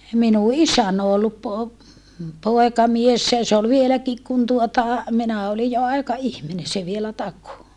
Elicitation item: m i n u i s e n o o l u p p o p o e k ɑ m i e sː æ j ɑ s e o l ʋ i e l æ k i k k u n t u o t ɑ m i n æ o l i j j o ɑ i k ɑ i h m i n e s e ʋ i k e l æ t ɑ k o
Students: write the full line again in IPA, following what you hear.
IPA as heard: m i n u i s æ n o o lː u p p o p o e k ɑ m i e sː æ j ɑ s e o l ʋ i e l æ k i k k u n t u o t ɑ m i n æ o l i j j o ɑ i k ɑ i h m i n e s e ʋ i e l æ t ɑ k o

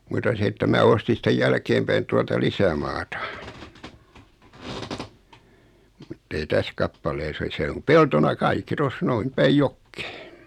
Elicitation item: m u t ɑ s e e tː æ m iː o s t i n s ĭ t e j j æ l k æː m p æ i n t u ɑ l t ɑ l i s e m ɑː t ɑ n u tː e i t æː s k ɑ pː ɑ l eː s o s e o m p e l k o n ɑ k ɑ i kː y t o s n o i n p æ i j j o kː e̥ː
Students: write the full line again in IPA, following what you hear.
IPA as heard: m u t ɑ s e e tː æ m æː o s t i n s ĭ t e j j æ l k eː m p æ i n t u ɑ l t ɑ l i s æ m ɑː t ɑ m u tː e i t æ s k ɑ pː ɑ l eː s o s e o m p e l t o n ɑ k ɑ i kː i t o s n o i n p æ i j j o kː e̥ː

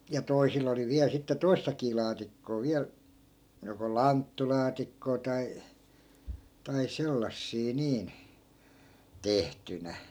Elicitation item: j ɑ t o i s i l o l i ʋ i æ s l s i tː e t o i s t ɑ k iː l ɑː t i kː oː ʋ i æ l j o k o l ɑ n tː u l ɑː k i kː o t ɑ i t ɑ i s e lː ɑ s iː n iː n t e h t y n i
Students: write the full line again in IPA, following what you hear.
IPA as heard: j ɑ t o i s i l o l i ʋ i æ l s i tː e t o i s t ɑ k iː l ɑː t i kː oː ʋ i æ l j o k o l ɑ n tː u l ɑː t i kː oː t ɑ i t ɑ i s e lː ɑ sː iː n iː n t e h t y n æ

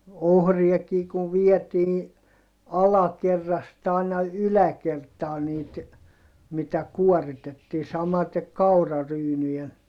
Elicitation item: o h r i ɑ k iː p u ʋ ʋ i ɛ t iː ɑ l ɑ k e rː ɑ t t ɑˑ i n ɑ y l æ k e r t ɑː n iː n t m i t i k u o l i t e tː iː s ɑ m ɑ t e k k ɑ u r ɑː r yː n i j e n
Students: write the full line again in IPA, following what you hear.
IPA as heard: o h r i ɑ k iː k u ʋ ʋ i ɛ t iː ɑ l ɑ k e rː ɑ s t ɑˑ i n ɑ y l æ k e r t ɑː n iː t m i t æ k u o r i t e tː iː s ɑ m ɑ t e k k ɑ u r ɑ r yː n y j e n

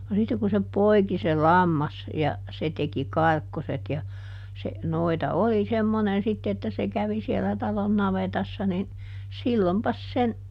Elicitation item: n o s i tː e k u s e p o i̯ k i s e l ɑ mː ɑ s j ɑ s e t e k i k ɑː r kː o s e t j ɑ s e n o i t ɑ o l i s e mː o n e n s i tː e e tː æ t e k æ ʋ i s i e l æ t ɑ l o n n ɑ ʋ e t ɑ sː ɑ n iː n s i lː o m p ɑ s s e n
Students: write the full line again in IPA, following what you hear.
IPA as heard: n o s i tː e k u s e p o i̯ k i s e l ɑ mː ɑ s j ɑ s e t e k i k ɑ r kː o s e t j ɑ s e n o i t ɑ o l i s e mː o n e n s i tː e e tː æ s e k æ ʋ i s i e l æ t ɑ l o n n ɑ ʋ e t ɑ sː ɑ n i n s i lː o m p ɑ s s e n

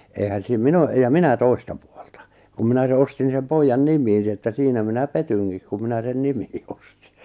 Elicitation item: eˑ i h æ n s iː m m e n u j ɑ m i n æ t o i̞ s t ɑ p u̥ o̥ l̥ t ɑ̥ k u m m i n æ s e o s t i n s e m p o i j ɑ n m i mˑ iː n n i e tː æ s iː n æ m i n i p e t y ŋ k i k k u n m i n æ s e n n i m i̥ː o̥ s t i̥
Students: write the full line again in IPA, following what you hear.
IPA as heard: eˑ i h æ n s iː m m i n o j ɑ m i n æ t o i̞ s t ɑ p u̥ o̥ l̥ t ɑ̥ k u m m i n æ s e o s t i n s e m p o i jː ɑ n n i mˑ iː n n i e tː æ s iː n æ m i n æ p e t y ŋ k i k k u m i n æ s e n n i m i̥ː o̥ s t i̥

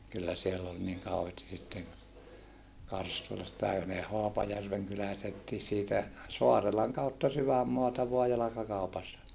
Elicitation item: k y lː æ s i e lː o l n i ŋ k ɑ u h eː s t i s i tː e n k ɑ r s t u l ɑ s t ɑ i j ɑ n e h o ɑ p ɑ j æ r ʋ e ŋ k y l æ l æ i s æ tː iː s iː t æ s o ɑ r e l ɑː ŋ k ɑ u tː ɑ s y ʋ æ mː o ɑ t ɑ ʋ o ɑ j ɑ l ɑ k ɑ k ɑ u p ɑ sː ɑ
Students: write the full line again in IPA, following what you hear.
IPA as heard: k y lː æ s i e lː o l n i ŋ k ɑ u h eː s t i s i tː e n k ɑ r s t u l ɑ s t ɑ i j ɑ n e h o ɑ p ɑ j æ r ʋ e ŋ k y l æ l æ i s e tː iː s iː t æ s o ɑ r e l ɑ ŋ k ɑ u tː ɑ s y ʋ æ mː o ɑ t ɑ ʋ o ɑ j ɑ l ɑ k ɑ k ɑ u p ɑ sː ɑ

